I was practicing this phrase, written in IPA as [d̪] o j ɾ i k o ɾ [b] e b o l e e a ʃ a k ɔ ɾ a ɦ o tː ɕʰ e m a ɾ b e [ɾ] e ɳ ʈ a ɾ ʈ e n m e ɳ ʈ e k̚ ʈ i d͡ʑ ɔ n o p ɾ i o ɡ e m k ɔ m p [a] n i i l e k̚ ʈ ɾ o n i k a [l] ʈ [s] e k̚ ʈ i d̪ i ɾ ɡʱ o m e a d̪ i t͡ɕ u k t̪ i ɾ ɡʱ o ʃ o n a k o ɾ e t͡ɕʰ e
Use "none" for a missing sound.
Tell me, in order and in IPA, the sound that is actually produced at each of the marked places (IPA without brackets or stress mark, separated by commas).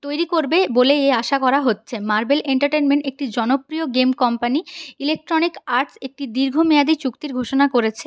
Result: t̪, b, l, a, ɾ, s